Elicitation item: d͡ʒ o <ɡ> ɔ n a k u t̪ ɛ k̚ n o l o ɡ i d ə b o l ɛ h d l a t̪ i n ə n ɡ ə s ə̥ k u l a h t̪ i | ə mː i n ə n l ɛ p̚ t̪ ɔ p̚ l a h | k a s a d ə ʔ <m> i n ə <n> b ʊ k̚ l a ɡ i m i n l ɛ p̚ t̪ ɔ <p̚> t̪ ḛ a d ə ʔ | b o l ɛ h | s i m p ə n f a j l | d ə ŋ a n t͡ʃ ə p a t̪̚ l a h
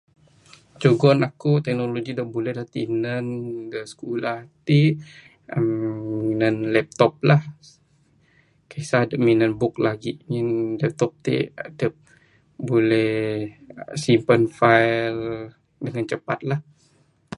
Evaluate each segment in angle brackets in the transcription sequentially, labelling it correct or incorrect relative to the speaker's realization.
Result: correct, correct, correct, correct

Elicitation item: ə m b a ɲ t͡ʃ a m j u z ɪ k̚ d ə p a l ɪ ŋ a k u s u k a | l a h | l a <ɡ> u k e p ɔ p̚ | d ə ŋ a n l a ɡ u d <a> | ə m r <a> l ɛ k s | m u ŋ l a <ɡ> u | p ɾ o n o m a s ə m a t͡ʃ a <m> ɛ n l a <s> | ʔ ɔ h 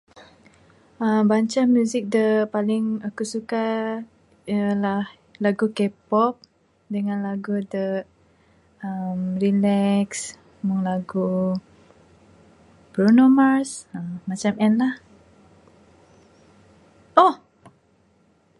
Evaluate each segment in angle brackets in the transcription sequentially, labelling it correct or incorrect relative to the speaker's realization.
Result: correct, incorrect: ə, incorrect: i, correct, correct, incorrect: h

